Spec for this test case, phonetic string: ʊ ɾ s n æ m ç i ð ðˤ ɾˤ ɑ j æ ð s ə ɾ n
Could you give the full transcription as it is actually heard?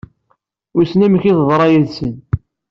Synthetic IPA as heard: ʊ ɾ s n æ m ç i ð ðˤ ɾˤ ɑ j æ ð s ə n